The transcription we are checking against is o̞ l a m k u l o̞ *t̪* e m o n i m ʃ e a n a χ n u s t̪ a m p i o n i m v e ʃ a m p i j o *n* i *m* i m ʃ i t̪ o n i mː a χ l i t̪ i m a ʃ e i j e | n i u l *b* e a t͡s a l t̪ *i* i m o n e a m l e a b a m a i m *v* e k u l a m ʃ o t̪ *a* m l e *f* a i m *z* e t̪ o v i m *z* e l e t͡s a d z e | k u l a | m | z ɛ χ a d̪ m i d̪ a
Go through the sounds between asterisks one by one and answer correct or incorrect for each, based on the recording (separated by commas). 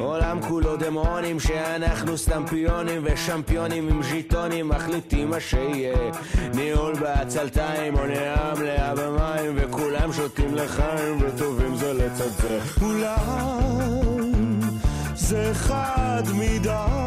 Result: incorrect, correct, correct, correct, incorrect, correct, incorrect, incorrect, incorrect, correct